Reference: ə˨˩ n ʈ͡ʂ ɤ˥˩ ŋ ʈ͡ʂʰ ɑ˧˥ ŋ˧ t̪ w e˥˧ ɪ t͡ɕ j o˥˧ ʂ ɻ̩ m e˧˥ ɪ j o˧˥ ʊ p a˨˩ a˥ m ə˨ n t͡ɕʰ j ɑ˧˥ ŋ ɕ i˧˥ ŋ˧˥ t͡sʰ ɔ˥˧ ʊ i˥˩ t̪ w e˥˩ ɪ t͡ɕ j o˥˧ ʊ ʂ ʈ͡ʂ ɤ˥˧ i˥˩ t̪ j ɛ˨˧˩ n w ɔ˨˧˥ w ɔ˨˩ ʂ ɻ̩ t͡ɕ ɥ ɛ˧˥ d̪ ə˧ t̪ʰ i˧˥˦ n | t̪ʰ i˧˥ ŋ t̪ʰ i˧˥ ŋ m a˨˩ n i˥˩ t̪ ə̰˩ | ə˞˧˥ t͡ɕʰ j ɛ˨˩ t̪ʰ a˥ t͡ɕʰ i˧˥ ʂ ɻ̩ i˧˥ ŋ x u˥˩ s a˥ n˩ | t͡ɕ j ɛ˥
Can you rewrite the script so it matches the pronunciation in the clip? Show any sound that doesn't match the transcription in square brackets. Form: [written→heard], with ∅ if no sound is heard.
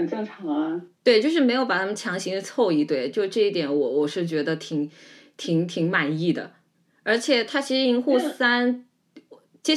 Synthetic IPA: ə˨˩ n ʈ͡ʂ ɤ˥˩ ŋ ʈ͡ʂʰ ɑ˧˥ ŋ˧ t̪ w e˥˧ ɪ t͡ɕ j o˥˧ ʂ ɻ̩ m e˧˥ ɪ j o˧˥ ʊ p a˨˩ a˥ m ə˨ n t͡ɕʰ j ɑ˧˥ ŋ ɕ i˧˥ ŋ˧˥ t͡sʰ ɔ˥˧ ʊ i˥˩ t̪ w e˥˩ ɪ t͡ɕ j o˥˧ ʊ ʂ ʈ͡ʂ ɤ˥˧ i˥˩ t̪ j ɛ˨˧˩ n w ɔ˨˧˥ w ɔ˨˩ ʂ ɻ̩ t͡ɕ ɥ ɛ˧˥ d̪ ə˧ t̪ʰ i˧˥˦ [n→ŋ] | t̪ʰ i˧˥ ŋ t̪ʰ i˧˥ ŋ m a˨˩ n i˥˩ [t̪→d̪] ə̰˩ | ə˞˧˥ t͡ɕʰ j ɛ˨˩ t̪ʰ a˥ t͡ɕʰ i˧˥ ʂ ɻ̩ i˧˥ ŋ x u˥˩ s a˥ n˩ | t͡ɕ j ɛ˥